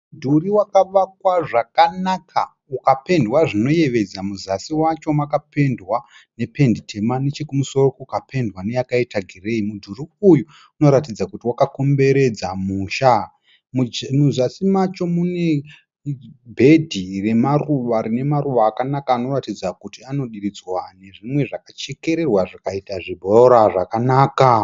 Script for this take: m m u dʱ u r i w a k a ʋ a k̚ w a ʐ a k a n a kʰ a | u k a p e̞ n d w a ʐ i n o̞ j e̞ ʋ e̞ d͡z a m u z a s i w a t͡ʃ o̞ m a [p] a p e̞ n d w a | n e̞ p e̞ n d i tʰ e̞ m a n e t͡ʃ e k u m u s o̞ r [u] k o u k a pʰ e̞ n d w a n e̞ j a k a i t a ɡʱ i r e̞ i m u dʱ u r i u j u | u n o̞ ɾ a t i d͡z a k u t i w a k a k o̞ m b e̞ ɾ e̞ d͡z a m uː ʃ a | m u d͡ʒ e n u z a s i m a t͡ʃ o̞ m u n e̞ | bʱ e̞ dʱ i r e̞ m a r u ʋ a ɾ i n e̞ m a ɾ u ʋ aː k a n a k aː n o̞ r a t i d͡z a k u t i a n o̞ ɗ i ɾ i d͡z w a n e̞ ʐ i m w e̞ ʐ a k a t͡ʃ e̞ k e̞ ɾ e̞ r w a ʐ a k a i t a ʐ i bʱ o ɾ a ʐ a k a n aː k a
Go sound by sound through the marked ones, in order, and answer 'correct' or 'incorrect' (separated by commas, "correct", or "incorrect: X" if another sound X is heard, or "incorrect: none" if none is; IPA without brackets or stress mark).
incorrect: k, incorrect: o